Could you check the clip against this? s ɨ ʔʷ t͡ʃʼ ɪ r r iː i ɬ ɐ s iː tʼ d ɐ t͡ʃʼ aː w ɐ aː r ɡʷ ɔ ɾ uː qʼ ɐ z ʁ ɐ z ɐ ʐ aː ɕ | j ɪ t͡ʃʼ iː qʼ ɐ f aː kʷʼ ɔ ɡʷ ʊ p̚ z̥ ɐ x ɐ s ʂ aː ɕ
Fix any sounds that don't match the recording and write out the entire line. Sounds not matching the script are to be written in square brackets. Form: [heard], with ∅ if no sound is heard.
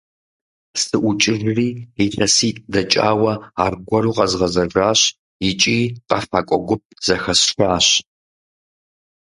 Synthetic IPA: s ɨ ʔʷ t͡ʃʼ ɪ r r iː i ɬ ɐ s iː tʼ d ɐ t͡ʃʼ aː w ɐ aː r ɡʷ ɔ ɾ uː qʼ ɐ z ʁ ɐ z ɐ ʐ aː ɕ | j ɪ t͡ʃʼ iː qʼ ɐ f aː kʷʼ ɔ ɡʷ ʊ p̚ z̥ ɐ x ɐ s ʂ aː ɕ